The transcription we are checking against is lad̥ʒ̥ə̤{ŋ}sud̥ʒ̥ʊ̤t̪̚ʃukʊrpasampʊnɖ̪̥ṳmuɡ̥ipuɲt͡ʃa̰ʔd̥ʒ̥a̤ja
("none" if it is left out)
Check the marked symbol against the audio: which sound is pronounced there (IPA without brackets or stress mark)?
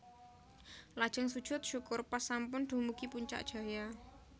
ŋ